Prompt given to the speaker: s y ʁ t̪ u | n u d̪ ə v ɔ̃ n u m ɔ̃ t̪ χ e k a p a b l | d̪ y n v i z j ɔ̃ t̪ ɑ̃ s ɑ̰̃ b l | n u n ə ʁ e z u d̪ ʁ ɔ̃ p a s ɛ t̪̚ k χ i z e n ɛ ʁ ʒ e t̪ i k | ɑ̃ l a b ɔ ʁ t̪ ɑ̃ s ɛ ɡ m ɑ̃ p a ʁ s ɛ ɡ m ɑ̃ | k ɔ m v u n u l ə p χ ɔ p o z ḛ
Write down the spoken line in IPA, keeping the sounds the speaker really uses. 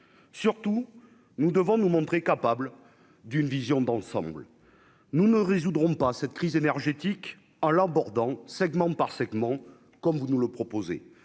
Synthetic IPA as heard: s y ʁ t̪ u | n u d̪ ə v ɔ̃ n u m ɔ̃ t̪ χ e k a p a b l | d̪ y n v i z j ɔ̃ d̪ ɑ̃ s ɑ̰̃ b l | n u n ə ʁ e z u d̪ ʁ ɔ̃ p a s ɛ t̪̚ k χ i z e n ɛ ʁ ʒ e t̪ i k | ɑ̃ l a b ɔ ʁ d̪ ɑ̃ s ɛ ɡ m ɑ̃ p a ʁ s ɛ ɡ m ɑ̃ | k ɔ m v u n u l ə p χ ɔ p o z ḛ